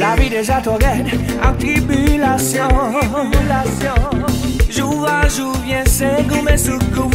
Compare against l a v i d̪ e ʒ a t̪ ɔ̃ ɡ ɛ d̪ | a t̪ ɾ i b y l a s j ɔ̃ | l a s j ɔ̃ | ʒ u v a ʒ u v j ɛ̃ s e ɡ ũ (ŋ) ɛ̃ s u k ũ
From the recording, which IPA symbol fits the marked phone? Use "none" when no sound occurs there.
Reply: m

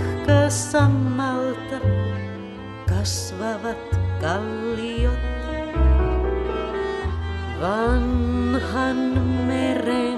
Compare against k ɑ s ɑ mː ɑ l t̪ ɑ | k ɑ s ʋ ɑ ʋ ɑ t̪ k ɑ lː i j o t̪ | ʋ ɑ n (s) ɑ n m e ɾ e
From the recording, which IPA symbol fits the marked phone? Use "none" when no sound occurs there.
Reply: h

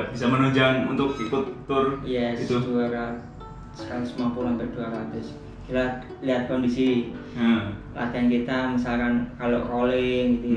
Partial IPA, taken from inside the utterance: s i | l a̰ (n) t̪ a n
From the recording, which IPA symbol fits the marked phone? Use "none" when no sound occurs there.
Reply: none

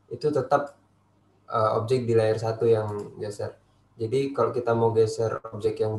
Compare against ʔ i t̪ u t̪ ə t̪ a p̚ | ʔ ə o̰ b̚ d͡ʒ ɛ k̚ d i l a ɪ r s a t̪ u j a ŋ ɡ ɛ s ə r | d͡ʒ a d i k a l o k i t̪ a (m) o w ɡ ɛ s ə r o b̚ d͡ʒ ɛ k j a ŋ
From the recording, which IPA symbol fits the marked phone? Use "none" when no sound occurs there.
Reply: m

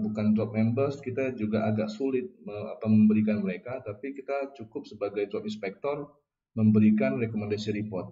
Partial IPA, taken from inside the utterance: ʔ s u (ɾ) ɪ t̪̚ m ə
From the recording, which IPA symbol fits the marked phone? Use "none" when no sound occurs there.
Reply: l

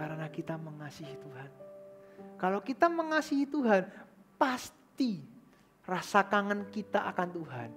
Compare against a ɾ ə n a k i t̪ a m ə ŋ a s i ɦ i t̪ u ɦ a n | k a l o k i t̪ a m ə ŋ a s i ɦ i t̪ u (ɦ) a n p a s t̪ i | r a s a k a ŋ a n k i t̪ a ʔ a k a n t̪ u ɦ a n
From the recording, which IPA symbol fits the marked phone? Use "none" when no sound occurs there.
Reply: ɦ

